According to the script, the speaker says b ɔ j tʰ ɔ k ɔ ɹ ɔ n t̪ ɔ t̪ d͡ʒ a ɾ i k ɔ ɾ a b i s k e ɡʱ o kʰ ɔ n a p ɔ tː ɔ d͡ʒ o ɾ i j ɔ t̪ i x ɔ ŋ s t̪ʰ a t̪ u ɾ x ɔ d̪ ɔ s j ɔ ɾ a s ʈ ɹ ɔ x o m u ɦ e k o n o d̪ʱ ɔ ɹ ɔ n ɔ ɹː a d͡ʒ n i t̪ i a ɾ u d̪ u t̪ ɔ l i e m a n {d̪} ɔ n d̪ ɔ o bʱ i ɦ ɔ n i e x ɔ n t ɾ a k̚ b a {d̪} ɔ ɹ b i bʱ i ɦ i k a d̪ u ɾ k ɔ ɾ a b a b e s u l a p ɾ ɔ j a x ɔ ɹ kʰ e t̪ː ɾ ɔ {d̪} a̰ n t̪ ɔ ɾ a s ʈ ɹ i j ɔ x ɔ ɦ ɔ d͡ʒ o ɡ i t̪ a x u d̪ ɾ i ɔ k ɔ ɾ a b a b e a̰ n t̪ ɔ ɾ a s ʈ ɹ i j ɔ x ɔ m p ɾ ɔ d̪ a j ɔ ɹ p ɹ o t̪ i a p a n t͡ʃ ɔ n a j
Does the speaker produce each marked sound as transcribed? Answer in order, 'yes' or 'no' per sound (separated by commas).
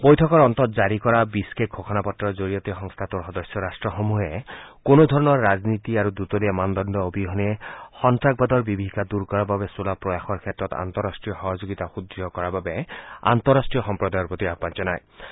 yes, yes, no